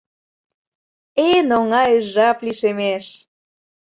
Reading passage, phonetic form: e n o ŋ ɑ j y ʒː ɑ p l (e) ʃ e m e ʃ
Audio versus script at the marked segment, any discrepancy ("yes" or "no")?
yes